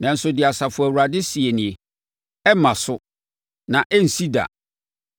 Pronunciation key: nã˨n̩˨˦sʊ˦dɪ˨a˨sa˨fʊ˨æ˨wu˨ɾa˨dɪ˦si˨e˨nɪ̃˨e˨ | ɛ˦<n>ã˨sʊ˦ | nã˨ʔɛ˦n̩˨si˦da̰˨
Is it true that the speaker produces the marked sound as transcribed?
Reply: no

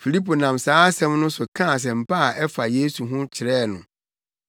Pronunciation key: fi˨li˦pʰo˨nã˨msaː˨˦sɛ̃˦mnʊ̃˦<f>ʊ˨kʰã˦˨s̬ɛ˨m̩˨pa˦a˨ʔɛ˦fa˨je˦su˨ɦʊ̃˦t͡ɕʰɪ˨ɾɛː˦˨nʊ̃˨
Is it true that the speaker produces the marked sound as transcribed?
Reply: no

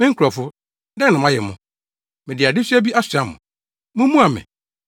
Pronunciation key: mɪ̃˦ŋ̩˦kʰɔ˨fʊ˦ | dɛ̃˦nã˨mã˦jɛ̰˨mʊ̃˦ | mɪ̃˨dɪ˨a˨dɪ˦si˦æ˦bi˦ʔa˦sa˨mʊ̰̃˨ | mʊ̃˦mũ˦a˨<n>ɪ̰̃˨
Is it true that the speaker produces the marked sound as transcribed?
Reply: no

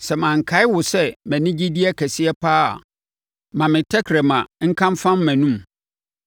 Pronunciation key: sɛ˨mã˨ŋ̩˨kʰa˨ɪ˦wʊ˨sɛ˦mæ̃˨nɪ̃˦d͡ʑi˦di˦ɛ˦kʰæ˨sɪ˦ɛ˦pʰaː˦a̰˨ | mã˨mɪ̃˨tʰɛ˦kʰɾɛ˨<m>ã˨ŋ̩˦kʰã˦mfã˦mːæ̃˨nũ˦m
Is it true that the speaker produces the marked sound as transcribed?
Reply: yes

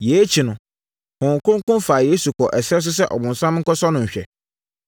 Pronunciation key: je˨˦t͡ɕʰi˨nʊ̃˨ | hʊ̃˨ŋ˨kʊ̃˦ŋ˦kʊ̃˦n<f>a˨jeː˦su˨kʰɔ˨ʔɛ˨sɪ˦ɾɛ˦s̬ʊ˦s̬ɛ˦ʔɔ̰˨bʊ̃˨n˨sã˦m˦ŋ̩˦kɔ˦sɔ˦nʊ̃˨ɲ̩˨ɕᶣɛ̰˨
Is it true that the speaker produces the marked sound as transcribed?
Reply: yes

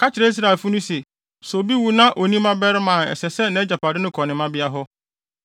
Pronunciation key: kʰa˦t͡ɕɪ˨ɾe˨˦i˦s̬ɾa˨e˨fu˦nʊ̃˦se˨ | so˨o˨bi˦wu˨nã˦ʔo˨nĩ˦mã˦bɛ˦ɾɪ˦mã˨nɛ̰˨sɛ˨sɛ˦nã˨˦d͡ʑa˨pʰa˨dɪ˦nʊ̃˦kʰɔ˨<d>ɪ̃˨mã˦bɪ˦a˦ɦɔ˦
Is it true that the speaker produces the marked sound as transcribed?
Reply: no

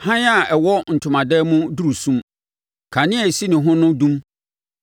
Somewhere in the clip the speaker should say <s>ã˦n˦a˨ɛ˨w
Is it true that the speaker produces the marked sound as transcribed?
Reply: no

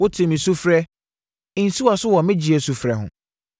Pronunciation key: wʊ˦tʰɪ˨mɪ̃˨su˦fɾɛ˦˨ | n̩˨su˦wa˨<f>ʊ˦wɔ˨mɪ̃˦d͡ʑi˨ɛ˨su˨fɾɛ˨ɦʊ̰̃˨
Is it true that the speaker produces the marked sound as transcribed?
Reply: no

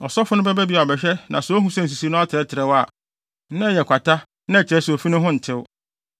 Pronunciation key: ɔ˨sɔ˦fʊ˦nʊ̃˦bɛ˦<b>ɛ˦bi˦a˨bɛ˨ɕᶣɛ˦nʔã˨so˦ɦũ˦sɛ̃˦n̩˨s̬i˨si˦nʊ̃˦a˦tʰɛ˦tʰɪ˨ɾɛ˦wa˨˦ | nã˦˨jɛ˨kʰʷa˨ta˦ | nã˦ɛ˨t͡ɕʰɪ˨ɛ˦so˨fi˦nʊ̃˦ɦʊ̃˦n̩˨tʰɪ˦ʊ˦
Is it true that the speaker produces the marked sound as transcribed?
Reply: yes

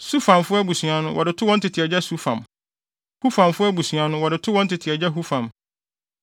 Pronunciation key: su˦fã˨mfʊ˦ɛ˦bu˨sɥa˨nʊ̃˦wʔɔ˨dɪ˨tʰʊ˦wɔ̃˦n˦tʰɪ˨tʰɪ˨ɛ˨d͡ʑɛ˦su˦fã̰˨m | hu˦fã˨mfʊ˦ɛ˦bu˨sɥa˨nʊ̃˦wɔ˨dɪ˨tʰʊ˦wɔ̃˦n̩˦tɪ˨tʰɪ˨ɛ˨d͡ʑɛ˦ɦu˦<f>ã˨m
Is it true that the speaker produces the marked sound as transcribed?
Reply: yes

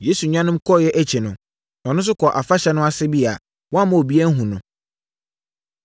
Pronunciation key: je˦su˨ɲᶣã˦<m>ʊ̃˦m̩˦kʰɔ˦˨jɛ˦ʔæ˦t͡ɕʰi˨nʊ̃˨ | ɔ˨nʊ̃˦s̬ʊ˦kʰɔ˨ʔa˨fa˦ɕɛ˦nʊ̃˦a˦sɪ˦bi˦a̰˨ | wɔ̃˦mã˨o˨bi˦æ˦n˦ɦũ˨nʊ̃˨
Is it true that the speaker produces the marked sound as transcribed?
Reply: no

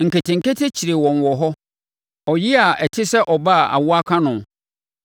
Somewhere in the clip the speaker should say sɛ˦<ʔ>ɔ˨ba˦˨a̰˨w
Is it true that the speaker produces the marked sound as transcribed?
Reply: yes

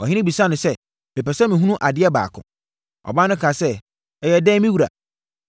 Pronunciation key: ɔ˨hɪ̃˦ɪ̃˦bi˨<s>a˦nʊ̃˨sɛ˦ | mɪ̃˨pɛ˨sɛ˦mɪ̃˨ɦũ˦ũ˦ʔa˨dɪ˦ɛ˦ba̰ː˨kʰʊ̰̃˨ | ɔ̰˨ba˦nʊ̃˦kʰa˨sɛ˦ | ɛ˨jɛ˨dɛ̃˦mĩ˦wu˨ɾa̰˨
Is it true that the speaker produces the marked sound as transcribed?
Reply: yes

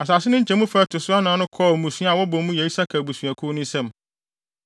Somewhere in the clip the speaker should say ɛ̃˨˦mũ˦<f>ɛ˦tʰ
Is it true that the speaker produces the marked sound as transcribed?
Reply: yes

